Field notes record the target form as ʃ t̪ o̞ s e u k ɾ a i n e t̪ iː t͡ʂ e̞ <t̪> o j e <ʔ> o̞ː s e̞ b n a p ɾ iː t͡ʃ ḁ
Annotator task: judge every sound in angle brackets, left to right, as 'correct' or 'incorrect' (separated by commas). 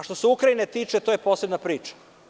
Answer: correct, incorrect